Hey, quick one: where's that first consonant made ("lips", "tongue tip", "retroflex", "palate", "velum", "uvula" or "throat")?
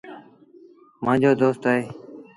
lips